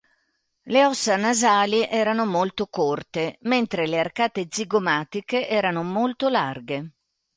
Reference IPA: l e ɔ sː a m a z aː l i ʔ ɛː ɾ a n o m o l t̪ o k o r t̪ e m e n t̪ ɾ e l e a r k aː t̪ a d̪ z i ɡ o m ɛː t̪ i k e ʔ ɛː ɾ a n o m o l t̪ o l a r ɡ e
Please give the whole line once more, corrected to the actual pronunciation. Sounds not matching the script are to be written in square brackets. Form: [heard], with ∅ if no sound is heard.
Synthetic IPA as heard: l e ɔ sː a [n] a z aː l i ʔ ɛː ɾ a n o m o l t̪ o k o r t̪ e m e n t̪ ɾ e l e a r k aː t̪ [e] d̪ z i ɡ o m [aː] t̪ i k e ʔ ɛː ɾ a n o m o l t̪ o l a r ɡ e